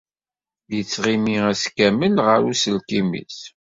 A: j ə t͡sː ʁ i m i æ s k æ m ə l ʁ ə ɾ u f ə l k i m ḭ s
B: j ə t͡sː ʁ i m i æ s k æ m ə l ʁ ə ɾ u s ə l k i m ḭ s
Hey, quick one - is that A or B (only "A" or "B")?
B